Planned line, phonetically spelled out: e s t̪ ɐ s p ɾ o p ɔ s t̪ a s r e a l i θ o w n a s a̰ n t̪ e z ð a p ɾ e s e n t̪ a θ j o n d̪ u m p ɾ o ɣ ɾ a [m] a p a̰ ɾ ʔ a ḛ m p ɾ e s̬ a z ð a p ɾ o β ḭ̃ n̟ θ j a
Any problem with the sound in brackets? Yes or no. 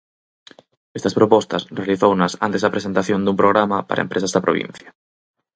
no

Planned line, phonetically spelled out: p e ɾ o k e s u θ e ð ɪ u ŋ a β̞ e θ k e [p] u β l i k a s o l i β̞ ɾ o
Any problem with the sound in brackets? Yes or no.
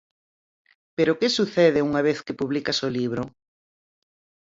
no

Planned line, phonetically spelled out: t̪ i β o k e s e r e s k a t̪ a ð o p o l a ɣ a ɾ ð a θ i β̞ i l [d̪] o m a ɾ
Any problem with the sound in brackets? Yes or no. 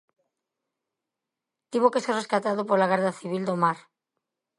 no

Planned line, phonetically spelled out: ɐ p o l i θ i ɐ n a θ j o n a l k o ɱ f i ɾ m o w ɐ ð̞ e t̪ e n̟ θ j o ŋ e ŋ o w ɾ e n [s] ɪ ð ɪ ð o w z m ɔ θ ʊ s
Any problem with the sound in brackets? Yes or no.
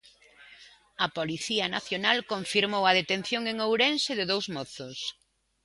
no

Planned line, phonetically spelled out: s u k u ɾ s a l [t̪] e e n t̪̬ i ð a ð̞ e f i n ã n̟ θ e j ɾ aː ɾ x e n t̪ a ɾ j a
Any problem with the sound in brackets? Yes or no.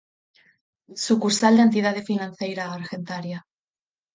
yes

